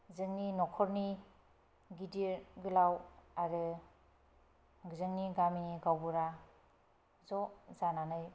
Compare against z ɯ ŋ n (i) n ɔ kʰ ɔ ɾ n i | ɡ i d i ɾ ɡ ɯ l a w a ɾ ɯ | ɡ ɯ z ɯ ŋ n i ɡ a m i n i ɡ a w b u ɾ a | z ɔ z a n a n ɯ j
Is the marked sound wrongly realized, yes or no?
no